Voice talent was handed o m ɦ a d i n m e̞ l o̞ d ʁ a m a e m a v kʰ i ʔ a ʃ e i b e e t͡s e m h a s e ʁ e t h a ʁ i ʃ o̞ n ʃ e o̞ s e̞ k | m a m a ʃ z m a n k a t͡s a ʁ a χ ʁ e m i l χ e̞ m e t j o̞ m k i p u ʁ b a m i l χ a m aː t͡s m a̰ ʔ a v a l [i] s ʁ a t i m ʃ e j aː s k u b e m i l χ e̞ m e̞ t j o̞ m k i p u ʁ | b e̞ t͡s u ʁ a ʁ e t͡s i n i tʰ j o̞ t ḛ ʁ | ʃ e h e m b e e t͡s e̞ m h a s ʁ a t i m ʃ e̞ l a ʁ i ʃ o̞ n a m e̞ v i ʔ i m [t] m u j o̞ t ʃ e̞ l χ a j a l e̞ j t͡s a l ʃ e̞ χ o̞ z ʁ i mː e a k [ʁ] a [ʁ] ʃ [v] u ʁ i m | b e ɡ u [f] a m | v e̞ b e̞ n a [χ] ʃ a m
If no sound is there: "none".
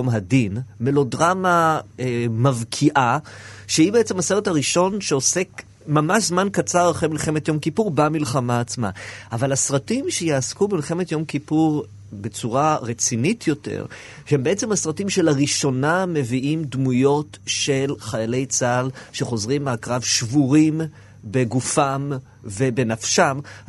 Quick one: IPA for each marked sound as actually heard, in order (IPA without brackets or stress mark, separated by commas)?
a, d, ʁ, v, v, f, f